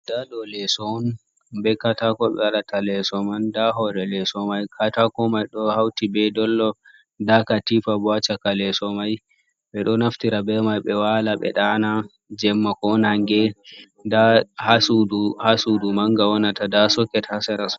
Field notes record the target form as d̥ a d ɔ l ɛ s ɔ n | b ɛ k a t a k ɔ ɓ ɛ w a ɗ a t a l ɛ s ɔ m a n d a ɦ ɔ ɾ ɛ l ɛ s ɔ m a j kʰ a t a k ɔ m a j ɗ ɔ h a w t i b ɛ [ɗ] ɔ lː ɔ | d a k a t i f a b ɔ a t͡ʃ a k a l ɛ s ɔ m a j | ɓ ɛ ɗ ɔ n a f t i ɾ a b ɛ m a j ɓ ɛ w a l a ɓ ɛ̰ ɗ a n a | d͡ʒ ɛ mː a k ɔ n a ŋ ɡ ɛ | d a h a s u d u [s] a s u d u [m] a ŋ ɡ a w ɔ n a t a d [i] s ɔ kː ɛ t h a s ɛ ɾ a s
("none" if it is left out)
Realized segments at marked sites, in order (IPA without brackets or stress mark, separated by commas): d, h, m, a